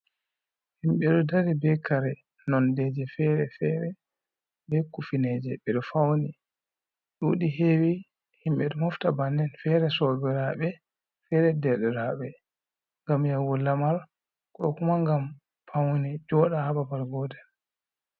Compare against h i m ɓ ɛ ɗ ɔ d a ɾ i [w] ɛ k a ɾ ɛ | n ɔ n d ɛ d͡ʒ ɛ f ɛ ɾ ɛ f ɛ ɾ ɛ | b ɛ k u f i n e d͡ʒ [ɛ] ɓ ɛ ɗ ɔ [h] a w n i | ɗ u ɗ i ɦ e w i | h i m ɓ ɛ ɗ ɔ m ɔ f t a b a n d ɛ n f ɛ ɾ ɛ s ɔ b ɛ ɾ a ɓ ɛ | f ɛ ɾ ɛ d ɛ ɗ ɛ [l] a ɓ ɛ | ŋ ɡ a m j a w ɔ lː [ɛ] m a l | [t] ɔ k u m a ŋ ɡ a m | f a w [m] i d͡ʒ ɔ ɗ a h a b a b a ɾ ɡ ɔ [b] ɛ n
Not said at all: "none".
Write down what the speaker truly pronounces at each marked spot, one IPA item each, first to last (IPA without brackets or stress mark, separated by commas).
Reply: b, ɛ, f, ɾ, a, k, n, d